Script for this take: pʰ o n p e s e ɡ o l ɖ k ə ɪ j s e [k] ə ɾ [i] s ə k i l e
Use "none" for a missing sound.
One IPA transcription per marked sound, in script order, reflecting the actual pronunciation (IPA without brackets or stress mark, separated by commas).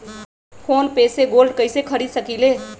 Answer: kʰ, i